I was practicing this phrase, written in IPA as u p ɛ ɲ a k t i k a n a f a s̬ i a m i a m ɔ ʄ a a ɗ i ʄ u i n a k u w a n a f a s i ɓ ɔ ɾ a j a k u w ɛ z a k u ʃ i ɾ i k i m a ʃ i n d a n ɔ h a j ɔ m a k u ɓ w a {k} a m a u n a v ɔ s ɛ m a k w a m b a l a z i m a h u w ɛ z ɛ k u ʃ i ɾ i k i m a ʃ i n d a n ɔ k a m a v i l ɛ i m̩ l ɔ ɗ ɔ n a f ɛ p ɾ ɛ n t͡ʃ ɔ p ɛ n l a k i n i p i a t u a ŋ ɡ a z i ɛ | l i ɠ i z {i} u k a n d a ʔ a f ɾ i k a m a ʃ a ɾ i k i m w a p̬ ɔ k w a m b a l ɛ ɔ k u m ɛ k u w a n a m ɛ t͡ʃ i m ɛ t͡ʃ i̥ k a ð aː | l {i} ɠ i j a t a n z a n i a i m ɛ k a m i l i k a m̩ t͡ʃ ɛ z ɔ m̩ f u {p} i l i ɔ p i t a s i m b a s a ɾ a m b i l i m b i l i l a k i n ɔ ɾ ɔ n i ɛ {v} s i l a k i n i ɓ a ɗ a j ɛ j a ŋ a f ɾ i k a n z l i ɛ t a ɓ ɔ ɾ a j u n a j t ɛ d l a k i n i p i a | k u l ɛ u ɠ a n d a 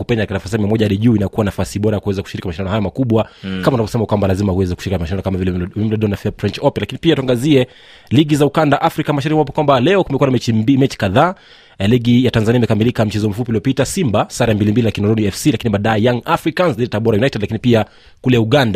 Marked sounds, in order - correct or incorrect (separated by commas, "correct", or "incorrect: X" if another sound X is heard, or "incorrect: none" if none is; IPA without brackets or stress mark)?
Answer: correct, incorrect: a, correct, correct, incorrect: f